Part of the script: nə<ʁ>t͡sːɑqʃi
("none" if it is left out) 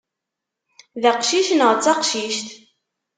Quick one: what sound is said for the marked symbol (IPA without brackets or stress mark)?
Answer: ʁ